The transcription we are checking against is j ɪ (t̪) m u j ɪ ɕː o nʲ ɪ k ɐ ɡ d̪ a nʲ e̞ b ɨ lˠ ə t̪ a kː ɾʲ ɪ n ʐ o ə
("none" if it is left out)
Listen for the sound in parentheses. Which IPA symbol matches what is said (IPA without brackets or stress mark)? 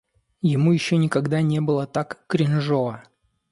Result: none